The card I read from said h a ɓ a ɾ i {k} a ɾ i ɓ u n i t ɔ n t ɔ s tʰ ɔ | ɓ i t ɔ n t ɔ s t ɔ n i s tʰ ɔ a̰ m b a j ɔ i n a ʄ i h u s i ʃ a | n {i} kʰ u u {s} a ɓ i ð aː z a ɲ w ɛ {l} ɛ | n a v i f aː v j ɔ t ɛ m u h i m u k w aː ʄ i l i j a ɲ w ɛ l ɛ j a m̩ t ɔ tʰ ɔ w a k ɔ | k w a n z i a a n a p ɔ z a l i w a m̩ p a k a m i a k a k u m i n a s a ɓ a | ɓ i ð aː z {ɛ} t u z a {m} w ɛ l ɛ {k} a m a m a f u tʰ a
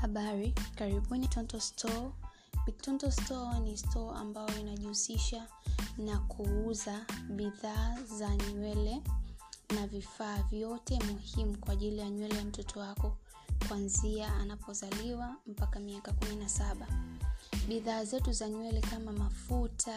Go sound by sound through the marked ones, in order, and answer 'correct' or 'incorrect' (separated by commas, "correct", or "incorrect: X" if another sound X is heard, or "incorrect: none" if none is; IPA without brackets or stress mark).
correct, incorrect: a, incorrect: z, correct, correct, incorrect: ɲ, correct